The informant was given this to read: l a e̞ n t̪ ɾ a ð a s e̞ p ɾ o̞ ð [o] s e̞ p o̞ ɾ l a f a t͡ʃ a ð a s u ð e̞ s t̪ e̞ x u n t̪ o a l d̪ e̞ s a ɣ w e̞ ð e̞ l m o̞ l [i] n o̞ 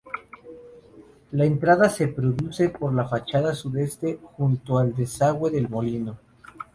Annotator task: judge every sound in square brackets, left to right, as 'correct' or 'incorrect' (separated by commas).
incorrect, correct